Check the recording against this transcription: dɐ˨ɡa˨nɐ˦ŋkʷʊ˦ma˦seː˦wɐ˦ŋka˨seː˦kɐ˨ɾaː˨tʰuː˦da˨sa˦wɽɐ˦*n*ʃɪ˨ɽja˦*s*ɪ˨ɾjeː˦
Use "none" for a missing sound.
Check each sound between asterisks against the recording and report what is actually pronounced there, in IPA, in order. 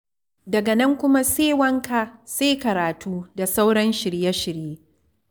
n, ʃ

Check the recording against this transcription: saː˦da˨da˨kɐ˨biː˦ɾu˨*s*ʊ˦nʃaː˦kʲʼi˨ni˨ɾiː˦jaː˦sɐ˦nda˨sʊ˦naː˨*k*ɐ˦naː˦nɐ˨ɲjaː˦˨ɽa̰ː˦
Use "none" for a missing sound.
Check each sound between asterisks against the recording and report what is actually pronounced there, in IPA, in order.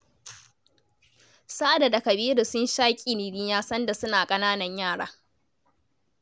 s, kʼ

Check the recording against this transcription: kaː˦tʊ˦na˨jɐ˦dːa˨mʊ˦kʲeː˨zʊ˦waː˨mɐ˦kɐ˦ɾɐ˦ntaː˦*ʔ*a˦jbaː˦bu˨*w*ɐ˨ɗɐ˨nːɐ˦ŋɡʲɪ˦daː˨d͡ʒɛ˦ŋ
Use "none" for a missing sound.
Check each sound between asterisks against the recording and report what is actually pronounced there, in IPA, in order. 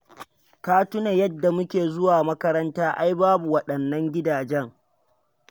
ʔ, w

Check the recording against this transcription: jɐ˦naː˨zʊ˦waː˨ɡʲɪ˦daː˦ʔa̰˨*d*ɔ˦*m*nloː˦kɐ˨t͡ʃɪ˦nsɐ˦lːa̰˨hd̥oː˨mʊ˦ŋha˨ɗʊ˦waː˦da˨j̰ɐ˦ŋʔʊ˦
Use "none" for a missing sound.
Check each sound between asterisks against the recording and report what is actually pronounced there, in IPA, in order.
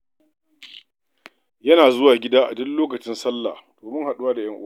d, none

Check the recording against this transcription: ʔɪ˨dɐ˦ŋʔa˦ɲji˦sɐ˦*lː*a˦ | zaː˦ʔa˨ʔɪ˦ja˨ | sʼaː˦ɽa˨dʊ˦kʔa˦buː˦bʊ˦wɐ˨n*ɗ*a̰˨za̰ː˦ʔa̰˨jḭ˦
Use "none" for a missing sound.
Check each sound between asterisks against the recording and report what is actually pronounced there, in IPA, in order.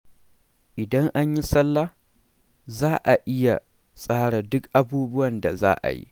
lː, d

